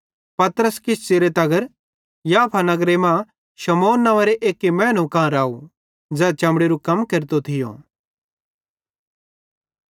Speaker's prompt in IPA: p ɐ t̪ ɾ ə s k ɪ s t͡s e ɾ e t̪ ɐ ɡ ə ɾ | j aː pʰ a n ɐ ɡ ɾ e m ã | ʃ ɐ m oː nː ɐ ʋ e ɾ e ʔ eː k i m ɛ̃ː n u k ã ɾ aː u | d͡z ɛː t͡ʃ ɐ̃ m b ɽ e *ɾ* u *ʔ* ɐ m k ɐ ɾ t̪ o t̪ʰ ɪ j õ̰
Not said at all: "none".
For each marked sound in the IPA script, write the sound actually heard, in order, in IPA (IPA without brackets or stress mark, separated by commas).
ɾ, k